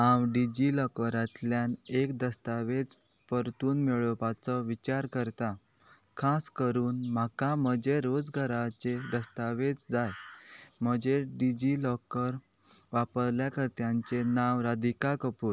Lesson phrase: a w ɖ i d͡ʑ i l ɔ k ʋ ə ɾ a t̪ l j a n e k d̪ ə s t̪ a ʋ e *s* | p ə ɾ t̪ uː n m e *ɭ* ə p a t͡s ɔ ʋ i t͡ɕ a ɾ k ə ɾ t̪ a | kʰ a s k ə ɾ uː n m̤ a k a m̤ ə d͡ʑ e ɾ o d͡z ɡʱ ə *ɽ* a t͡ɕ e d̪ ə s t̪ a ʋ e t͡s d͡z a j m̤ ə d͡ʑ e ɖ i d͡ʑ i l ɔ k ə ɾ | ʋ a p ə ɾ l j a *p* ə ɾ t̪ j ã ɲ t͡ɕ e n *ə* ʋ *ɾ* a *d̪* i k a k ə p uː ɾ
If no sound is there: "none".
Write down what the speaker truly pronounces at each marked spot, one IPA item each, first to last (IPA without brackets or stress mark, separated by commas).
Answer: t͡s, ɭ, ɾ, k, a, ɾ, d̪